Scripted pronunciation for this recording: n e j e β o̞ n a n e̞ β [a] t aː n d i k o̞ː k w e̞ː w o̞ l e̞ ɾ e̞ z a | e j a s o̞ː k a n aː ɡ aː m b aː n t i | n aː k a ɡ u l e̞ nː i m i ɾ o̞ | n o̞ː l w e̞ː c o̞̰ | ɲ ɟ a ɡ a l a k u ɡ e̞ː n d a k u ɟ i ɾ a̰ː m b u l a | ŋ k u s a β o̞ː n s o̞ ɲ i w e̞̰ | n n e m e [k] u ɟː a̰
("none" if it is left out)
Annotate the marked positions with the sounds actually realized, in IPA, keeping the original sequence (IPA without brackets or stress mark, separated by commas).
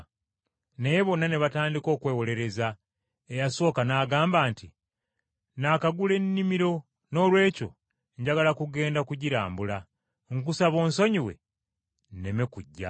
a, k